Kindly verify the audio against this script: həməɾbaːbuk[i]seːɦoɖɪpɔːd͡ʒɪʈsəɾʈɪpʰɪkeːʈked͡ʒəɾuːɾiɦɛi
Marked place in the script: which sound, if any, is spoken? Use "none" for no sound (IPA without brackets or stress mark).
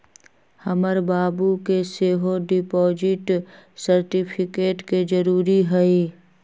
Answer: e